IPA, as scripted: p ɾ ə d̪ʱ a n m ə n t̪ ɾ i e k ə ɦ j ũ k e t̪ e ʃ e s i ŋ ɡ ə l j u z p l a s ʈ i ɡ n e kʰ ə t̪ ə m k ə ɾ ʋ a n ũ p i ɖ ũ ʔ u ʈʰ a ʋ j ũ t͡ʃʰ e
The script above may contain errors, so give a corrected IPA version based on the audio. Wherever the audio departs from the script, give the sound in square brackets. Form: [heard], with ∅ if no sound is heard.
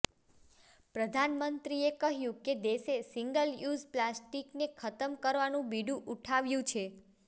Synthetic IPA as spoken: p ɾ ə d̪ʱ a n m ə n t̪ ɾ i e k ə ɦ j ũ k e [d̪] e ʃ e s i ŋ ɡ ə l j u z p l a s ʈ i [k] n e kʰ ə t̪ ə m k ə ɾ ʋ a n ũ [b] i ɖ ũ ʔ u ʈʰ a ʋ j ũ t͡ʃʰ e